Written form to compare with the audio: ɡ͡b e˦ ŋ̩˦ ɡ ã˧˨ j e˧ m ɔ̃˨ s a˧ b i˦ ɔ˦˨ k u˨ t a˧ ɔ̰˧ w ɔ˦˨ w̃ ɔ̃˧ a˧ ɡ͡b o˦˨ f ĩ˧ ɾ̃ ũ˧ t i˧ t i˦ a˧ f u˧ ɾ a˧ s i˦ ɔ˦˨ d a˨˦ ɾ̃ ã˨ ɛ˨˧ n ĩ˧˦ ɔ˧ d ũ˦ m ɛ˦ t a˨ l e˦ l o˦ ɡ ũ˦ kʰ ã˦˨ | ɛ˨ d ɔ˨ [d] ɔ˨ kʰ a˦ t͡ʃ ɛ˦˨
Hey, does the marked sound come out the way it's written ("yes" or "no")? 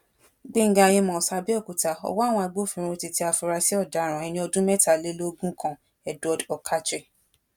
yes